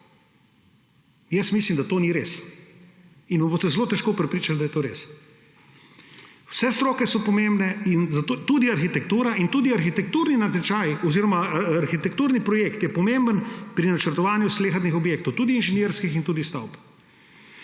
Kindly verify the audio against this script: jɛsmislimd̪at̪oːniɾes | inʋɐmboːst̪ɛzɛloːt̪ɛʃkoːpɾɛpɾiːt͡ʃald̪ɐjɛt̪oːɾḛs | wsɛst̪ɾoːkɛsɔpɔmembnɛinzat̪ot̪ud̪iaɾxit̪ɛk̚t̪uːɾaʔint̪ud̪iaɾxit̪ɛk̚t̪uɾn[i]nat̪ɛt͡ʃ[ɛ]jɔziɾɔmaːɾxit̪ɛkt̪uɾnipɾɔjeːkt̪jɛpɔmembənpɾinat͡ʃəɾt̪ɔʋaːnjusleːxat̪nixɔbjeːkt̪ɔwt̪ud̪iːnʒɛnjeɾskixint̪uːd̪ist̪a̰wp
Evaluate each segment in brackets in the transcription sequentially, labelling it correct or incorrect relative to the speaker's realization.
correct, incorrect

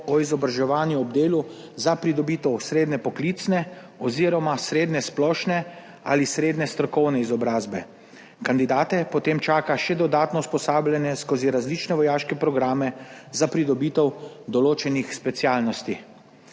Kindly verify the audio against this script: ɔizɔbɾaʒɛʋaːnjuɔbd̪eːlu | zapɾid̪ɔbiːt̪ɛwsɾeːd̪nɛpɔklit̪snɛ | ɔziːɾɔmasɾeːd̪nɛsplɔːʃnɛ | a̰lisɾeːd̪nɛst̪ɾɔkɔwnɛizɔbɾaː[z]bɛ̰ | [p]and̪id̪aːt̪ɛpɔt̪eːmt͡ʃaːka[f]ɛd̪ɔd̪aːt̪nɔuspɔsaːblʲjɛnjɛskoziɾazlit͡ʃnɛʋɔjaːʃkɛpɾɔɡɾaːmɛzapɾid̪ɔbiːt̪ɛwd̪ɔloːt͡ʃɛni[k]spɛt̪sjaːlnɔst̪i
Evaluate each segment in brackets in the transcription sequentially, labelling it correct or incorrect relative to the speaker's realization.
correct, incorrect, incorrect, incorrect

